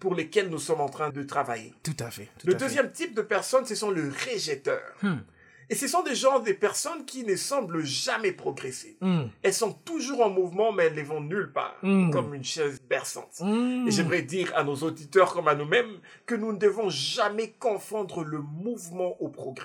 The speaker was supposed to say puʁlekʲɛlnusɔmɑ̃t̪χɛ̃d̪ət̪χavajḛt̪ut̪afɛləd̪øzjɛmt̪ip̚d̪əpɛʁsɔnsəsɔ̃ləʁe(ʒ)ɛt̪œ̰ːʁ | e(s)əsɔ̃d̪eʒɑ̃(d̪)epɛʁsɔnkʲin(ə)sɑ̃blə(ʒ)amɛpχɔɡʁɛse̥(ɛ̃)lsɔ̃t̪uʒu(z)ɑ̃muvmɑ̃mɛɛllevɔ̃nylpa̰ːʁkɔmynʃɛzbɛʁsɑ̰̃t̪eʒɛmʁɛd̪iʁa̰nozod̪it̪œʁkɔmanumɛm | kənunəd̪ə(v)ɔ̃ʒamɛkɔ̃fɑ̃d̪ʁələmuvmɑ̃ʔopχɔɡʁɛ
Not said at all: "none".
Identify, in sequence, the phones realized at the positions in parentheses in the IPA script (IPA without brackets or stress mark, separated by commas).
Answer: ʒ, s, d̪, ə, ʒ, ɛ, ʁ, v